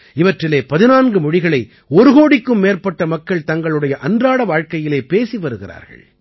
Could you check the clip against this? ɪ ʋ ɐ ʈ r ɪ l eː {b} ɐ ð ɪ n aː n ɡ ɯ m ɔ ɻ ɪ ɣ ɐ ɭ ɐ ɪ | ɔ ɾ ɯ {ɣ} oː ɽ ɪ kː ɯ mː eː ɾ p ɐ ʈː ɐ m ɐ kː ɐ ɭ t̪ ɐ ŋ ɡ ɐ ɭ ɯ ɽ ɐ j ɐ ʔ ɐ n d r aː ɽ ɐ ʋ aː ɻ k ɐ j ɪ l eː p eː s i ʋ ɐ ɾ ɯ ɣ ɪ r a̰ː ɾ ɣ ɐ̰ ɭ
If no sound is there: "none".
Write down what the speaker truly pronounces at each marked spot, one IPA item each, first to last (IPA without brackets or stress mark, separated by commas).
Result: p, ɣ